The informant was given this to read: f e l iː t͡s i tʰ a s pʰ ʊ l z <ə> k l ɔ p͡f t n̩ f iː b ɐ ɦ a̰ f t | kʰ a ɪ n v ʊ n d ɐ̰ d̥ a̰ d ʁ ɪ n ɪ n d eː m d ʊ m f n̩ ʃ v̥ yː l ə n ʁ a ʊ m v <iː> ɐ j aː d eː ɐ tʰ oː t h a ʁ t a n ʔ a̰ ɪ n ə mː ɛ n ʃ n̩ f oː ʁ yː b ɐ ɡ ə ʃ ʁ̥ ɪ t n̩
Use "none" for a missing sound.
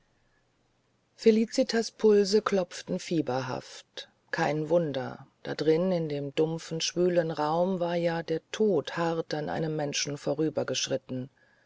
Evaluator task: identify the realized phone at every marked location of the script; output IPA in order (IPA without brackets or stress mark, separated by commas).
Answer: ə, aː